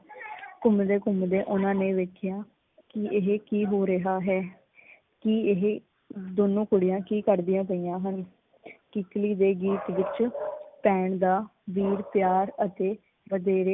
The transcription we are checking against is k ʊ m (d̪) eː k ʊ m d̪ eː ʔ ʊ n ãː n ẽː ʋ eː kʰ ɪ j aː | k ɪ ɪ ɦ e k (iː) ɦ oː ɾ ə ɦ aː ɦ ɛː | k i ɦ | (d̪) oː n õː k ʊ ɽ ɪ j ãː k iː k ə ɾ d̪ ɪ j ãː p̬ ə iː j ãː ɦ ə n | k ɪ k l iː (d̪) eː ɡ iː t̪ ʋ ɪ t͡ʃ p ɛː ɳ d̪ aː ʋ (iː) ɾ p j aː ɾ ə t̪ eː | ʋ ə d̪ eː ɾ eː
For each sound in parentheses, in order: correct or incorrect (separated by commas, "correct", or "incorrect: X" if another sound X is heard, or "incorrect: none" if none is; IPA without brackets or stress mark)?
correct, correct, correct, correct, correct